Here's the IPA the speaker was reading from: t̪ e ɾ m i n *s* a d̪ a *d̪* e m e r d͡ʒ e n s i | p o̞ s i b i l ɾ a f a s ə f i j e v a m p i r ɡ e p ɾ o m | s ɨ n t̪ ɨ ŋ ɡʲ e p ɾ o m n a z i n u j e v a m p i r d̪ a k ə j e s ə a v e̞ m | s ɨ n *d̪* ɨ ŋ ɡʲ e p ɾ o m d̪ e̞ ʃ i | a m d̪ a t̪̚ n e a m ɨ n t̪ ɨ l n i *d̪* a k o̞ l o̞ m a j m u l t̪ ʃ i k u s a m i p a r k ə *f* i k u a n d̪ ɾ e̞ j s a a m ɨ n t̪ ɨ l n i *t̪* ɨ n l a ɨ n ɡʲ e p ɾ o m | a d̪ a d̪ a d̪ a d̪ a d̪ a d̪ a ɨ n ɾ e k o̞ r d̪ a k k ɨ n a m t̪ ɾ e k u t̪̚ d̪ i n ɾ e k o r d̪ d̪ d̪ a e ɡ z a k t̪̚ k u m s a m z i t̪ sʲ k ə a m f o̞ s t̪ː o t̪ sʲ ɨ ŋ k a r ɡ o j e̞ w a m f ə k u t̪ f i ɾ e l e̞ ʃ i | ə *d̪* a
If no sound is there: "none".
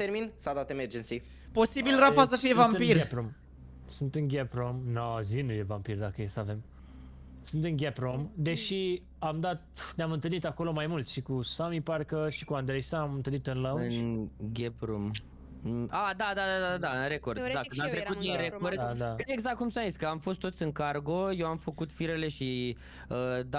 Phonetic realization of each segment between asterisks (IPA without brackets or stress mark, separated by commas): s, t̪, t̪, t̪, ʃ, t̪, d̪